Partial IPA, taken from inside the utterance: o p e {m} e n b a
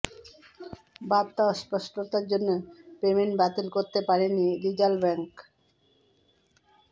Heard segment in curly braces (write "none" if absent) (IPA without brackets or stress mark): m